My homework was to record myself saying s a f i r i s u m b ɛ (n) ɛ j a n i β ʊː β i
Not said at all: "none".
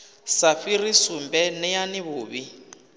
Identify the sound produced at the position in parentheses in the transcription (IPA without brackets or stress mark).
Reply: n